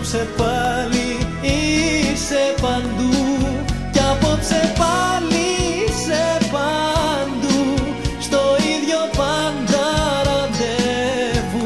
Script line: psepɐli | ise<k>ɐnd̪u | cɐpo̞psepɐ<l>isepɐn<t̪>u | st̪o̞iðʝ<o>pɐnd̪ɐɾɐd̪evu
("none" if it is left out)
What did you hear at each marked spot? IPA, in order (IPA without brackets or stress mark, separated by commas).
p, l, d̪, o